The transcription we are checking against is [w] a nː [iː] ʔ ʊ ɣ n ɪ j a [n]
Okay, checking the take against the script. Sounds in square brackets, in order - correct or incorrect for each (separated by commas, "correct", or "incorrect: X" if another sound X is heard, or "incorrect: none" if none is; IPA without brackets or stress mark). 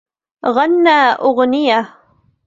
incorrect: ɣ, incorrect: aː, incorrect: none